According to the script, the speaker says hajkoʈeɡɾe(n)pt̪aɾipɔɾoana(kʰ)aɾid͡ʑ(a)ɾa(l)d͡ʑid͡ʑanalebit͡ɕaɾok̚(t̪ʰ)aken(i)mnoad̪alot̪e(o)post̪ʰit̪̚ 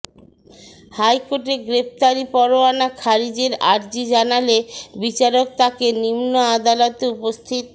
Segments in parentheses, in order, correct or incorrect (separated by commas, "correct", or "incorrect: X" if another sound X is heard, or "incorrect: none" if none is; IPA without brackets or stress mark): incorrect: none, correct, incorrect: e, incorrect: ɾ, incorrect: t̪, correct, incorrect: u